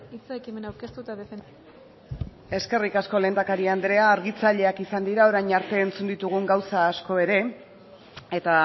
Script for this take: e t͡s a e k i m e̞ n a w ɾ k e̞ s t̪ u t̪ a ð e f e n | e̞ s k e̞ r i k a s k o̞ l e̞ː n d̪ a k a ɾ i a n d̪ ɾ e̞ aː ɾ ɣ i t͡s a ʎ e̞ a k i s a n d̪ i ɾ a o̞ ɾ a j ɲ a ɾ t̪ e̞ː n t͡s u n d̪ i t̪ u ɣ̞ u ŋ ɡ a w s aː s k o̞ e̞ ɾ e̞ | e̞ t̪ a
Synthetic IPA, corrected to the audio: i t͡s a e k i m e̞ n a w ɾ k e̞ s t̪ u t̪ a ð e f e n | e̞ s k e̞ r i k a s k o̞ l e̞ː n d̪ a k a ɾ i a n d̪ ɾ e̞ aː ɾ ɣ i t͡s a ʎ e̞ a k i s a n d̪ i ɾ a o̞ ɾ a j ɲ a ɾ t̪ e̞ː n t͡s u n d̪ i t̪ u ɣ̞ u ŋ ɡ a w s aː s k o̞ e̞ ɾ e̞ | e̞ t̪ a